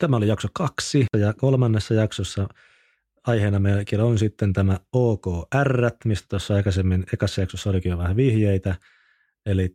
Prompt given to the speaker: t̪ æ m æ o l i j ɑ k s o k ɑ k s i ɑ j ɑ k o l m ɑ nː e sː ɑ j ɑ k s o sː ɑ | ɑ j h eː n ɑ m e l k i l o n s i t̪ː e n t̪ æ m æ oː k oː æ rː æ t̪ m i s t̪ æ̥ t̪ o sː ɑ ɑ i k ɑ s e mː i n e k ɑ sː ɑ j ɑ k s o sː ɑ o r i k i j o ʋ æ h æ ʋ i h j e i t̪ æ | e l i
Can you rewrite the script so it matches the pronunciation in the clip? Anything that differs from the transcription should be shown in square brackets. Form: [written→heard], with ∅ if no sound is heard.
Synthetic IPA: t̪ æ m æ o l i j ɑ k s o k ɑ k s i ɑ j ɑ k o l m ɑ nː e sː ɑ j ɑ k s o sː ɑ | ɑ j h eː n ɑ m e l k i l o n s i t̪ː e n t̪ æ m æ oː k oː æ rː æ t̪ m i s t̪ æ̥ t̪ o sː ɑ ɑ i k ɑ s e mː i n e k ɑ sː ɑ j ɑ k s o sː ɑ o [r→l] i k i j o ʋ æ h æ ʋ i h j e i t̪ æ | e l i